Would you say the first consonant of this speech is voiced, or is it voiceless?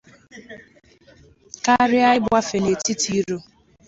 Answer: voiceless